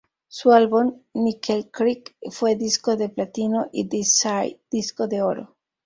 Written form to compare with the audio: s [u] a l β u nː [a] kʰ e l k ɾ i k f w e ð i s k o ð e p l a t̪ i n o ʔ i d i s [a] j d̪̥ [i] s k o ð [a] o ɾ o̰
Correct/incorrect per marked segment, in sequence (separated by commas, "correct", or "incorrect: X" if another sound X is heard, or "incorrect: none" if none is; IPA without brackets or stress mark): correct, incorrect: i, correct, correct, incorrect: e